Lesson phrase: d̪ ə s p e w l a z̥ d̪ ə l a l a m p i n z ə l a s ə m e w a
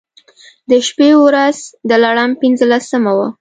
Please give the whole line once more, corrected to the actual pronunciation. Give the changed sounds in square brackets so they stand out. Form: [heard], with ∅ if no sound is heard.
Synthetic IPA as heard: d̪ ə [ʃ] p e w [ɾ] a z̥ d̪ ə l a [ɽ] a m p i n z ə l a s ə m [a] w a